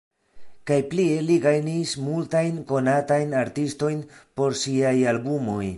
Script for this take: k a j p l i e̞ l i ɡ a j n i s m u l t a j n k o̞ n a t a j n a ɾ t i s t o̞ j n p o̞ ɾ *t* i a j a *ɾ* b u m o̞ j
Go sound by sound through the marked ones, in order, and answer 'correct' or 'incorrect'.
incorrect: s, incorrect: l

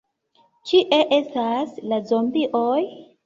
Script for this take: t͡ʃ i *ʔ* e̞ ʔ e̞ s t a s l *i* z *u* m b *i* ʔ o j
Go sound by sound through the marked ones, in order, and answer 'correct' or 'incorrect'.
correct, incorrect: a, incorrect: o, correct

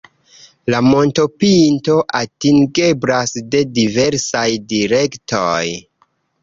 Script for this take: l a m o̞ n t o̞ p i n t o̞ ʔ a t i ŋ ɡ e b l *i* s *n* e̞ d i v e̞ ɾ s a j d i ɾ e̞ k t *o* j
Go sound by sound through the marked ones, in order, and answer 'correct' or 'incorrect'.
incorrect: a, incorrect: d, correct

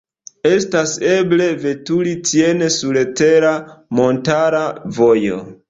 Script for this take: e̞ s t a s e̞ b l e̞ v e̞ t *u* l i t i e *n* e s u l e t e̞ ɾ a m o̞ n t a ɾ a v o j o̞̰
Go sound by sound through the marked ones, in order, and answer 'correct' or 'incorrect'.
correct, correct

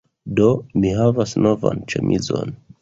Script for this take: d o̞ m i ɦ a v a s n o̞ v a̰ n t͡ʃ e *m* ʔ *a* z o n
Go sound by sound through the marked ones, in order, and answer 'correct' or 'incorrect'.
correct, incorrect: i

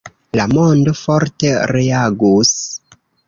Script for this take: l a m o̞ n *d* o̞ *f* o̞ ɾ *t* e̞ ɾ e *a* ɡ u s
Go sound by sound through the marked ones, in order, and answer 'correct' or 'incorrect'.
correct, correct, correct, correct

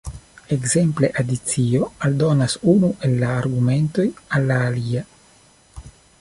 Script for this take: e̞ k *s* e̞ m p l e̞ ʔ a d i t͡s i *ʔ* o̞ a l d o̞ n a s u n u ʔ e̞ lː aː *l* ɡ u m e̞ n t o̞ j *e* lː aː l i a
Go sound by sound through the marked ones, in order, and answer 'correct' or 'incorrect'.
incorrect: z, incorrect: none, incorrect: ɾ, incorrect: a

